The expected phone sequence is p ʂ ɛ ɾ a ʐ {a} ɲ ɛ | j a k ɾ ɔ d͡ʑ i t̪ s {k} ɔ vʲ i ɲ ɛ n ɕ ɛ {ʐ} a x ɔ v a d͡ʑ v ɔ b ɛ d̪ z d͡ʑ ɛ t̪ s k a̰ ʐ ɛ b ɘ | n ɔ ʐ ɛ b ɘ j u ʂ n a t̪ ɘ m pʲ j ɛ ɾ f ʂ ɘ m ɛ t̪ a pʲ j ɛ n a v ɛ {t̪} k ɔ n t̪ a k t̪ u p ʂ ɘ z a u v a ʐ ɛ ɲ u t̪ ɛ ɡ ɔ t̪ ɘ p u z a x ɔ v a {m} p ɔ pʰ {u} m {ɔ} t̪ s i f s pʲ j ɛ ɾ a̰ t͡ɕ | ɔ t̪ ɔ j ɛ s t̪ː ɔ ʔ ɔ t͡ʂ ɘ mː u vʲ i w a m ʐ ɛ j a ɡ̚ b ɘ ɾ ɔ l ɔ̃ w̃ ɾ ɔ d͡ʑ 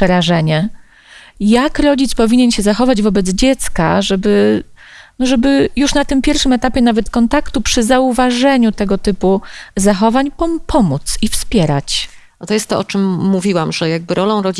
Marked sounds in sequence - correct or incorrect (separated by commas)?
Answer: incorrect, incorrect, incorrect, correct, incorrect, incorrect, incorrect